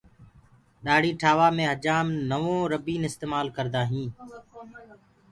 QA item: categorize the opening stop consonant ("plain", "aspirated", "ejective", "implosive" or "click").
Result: implosive